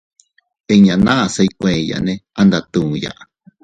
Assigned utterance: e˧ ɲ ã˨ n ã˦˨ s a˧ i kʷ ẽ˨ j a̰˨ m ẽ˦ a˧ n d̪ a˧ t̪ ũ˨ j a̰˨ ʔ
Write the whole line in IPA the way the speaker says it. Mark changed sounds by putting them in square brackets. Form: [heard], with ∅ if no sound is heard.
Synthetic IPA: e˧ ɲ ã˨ n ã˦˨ s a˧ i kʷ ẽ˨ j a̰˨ [n] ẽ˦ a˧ n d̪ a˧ t̪ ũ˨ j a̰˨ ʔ

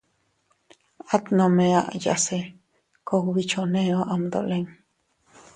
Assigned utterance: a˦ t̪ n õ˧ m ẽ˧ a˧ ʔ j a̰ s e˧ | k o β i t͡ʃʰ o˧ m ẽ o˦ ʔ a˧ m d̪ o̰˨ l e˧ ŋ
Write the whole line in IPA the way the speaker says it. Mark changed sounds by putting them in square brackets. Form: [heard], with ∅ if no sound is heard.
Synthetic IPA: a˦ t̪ n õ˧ m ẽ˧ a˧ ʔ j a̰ s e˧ | k o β i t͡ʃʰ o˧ [n] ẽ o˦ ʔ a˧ m d̪ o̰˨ l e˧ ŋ

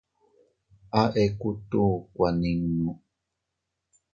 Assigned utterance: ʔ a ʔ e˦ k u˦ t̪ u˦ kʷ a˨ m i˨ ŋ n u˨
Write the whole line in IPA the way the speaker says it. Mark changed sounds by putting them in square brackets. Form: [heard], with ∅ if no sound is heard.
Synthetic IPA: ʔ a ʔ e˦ k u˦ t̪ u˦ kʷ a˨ [n] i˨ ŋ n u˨

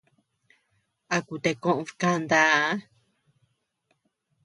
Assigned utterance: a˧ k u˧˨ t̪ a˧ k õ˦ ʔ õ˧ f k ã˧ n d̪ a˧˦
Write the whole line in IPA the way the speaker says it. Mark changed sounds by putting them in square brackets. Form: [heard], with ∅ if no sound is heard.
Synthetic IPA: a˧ k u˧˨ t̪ [e˧] k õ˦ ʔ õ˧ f k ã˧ n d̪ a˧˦

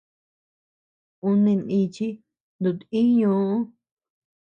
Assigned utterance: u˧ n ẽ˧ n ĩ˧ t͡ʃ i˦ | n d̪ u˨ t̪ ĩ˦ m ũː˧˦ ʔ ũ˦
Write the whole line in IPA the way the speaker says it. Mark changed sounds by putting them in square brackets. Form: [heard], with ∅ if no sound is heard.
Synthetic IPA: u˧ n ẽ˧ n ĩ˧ t͡ʃ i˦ | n d̪ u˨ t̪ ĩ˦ [ɲ] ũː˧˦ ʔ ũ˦

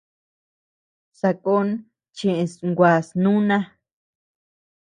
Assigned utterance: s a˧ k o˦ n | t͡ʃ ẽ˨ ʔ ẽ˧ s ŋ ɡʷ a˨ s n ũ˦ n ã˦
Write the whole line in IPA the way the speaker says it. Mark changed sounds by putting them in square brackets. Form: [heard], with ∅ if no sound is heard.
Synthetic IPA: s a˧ k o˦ n | t͡ʃ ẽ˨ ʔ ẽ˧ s ŋ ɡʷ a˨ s n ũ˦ n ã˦

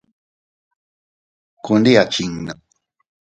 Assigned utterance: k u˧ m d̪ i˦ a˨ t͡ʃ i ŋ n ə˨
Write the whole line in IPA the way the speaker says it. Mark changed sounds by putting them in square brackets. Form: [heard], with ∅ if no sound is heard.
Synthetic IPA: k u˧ [n] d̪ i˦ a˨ t͡ʃ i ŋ n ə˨

